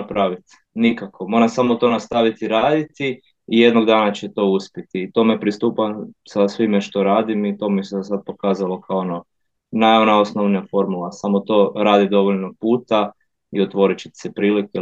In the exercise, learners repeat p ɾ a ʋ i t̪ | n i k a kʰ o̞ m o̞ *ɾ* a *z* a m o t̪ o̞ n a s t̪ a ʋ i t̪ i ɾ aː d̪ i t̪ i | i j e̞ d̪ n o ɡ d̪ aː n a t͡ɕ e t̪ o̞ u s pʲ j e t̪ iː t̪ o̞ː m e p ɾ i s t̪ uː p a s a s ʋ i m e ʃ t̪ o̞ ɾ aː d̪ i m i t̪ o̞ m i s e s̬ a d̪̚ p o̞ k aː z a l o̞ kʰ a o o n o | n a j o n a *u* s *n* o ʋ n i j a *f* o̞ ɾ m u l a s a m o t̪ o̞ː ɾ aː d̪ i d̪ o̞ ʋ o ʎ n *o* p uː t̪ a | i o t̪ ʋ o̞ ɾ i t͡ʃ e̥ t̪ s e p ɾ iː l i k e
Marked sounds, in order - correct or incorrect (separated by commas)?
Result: correct, incorrect, incorrect, correct, correct, correct